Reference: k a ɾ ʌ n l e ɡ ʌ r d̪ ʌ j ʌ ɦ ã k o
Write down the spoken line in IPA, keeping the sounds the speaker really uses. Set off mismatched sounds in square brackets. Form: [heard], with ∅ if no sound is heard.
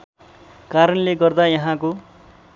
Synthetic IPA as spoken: k a ɾ ʌ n l e ɡ ʌ r d̪ [a] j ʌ ɦ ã k o